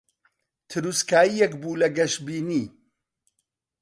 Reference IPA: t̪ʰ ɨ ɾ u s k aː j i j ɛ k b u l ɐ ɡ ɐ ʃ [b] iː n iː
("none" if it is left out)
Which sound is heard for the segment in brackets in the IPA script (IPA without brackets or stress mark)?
b